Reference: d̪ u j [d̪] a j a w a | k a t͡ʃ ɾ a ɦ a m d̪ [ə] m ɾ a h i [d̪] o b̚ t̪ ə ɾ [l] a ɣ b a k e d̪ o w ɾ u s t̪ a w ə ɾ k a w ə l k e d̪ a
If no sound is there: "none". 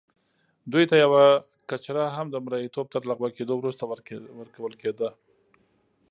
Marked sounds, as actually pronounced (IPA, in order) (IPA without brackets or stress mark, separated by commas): t̪, ə, t̪, l